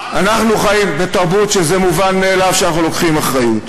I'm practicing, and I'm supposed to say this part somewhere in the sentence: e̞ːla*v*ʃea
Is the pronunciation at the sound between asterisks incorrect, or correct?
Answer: correct